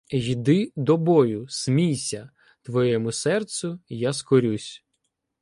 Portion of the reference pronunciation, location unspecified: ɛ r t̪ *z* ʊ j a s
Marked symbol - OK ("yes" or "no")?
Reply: no